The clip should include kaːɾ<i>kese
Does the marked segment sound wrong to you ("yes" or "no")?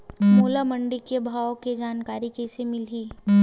no